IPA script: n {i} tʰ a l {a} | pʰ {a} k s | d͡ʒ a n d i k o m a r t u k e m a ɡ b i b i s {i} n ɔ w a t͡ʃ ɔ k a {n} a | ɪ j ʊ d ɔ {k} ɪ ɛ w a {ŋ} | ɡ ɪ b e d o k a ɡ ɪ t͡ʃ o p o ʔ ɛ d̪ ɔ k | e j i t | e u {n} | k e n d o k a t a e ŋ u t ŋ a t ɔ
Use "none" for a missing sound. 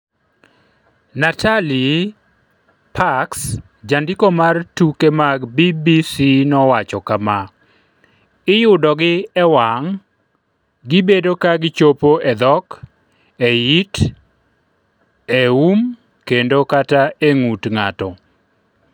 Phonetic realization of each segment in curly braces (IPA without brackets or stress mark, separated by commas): a, i, a, i, m, ɡ, ŋ, m